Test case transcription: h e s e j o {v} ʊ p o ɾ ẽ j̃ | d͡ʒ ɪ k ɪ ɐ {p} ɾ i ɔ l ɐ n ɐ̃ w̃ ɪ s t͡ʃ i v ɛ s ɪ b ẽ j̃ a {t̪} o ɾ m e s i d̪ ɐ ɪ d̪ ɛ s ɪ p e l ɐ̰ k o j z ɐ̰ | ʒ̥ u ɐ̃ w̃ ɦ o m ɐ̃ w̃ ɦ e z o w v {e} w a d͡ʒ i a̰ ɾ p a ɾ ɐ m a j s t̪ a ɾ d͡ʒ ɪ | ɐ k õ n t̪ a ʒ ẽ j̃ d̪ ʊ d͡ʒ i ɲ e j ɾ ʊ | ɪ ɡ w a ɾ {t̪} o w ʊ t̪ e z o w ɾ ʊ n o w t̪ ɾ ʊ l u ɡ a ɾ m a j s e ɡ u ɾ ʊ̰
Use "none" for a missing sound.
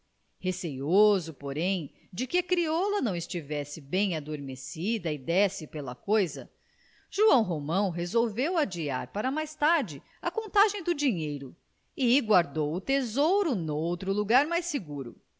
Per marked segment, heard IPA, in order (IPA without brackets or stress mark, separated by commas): z, k, d̪, e, d̪